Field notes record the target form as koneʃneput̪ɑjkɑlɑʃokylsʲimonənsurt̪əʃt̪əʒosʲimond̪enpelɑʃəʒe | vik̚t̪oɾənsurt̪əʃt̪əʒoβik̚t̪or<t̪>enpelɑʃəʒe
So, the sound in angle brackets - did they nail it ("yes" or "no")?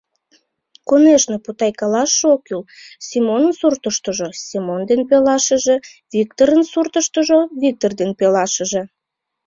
no